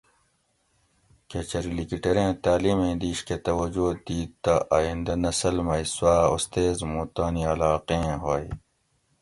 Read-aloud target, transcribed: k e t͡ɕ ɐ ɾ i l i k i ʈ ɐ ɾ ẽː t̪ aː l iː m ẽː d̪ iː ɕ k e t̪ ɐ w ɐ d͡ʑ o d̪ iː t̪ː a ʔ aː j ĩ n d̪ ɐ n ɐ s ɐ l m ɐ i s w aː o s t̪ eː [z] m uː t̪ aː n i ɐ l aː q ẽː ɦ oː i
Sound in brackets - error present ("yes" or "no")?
no